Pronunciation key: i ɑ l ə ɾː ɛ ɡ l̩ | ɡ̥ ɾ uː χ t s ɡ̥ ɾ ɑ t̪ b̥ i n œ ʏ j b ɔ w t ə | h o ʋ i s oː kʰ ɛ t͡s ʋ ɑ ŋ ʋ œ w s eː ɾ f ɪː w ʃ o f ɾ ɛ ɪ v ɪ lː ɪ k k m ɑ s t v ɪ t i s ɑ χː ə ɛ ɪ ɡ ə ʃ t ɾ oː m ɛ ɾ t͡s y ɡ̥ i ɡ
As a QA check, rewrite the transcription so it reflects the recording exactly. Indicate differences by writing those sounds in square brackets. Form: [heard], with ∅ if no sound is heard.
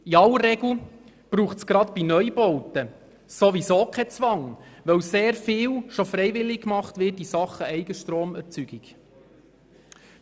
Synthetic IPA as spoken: i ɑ l ə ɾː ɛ ɡ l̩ | [b̥] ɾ uː χ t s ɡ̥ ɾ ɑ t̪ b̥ i n œ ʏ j b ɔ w t ə | [s] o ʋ i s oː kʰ ɛ t͡s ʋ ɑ ŋ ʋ œ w s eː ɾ f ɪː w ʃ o f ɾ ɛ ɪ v ɪ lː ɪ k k m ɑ [χ] t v ɪ t i s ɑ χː ə ɛ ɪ ɡ ə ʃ t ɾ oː m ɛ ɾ t͡s y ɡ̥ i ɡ